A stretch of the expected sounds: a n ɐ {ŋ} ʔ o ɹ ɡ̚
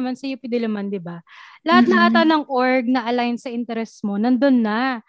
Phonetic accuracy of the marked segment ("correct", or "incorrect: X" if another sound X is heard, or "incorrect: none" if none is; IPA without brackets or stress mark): correct